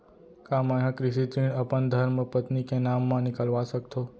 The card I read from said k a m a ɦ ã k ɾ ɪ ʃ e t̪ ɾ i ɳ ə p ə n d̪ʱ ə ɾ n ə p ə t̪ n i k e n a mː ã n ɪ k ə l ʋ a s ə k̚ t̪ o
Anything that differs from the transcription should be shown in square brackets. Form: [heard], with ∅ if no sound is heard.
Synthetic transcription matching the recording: k a m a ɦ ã k ɾ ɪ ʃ [i] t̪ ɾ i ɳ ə p ə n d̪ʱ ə ɾ [m] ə p ə t̪ n i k e n a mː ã n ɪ k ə l ʋ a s ə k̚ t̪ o